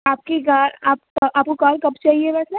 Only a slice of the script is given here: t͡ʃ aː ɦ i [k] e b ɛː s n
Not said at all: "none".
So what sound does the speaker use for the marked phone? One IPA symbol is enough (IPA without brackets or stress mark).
none